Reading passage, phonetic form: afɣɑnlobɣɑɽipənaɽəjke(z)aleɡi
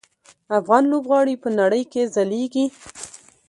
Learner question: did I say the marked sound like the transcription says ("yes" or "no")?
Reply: yes